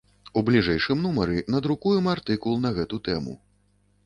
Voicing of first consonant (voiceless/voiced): voiced